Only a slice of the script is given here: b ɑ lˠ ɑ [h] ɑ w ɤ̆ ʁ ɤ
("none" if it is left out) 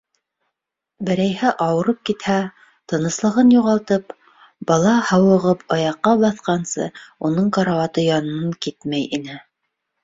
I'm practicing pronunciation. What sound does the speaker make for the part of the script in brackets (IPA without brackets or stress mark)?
h